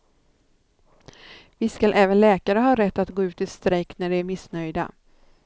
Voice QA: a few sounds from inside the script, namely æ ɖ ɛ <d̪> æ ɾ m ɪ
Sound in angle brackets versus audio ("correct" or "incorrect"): incorrect